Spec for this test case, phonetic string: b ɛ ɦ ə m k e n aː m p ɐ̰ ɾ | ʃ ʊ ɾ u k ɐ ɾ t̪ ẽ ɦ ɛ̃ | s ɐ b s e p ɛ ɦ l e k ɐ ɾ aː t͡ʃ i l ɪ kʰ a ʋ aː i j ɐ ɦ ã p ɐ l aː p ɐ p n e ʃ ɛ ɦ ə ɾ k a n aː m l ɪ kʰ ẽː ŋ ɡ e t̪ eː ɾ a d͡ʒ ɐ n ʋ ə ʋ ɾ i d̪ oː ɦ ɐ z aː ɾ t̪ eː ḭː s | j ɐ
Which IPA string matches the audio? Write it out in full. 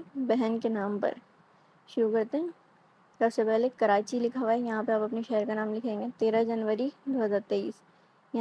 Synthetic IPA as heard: b ɛ ɦ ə n k e n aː m p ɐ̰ ɾ | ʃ ʊ ɾ u k ɐ ɾ t̪ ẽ ɦ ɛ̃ | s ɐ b s e p ɛ ɦ l e k ɐ ɾ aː t͡ʃ i l ɪ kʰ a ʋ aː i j ɐ ɦ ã p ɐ ɾ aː p ɐ p n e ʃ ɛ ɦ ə ɾ k a n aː m l ɪ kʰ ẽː ŋ ɡ e t̪ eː ɾ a d͡ʒ ɐ n ʋ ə ɾ i d̪ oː ɦ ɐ z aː ɾ t̪ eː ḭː s | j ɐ